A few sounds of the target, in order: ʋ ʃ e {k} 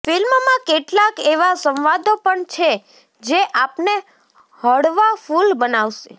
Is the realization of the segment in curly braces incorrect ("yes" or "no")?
yes